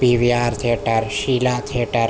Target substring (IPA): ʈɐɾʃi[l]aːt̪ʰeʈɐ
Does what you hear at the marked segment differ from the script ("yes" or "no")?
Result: no